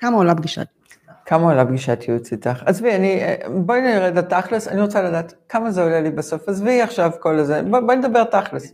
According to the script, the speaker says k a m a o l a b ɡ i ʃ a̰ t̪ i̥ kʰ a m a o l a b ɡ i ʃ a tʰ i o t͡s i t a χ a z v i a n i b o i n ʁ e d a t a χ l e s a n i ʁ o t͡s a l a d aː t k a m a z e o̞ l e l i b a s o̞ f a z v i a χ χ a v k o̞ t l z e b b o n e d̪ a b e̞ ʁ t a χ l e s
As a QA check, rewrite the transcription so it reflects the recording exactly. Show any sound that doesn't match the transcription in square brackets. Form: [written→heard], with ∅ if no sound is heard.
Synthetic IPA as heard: k a m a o l a b ɡ i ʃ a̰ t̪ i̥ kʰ a m a o l a b ɡ i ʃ a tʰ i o t͡s i t a χ a z v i a n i b o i n ʁ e d a t a χ l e s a n i ʁ o t͡s a l a d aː t k a m a z e o̞ l e l i b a s o̞ f a z v i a χ [χ→ʃ] a v k o̞ [t→∅] l z e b b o n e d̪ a b e̞ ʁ t a χ l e s